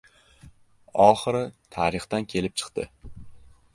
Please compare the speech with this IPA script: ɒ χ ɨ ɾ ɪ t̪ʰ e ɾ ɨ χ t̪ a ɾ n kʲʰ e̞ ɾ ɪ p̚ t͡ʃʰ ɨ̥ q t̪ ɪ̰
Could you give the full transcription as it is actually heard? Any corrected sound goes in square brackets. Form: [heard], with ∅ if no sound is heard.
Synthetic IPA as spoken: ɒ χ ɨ ɾ ɪ t̪ʰ [a] ɾ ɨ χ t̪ a [∅] n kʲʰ e̞ [l] ɪ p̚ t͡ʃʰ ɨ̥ q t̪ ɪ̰